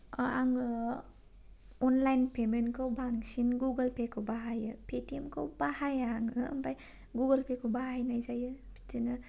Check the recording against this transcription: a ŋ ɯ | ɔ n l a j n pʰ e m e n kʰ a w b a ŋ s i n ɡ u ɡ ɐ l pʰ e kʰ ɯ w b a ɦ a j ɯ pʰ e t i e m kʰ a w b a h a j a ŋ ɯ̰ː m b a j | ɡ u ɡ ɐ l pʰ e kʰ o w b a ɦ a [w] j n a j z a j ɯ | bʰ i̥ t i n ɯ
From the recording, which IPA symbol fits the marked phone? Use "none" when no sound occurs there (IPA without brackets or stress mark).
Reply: none